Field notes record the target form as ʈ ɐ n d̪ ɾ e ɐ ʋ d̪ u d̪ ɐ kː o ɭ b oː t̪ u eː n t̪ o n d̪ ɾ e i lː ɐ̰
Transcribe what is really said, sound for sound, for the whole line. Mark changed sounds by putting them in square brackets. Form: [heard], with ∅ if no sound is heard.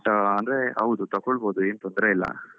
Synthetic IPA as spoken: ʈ ɐ n d̪ ɾ e ɐ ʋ d̪ u [t̪] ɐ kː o ɭ b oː [d̪] u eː n t̪ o n d̪ ɾ e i lː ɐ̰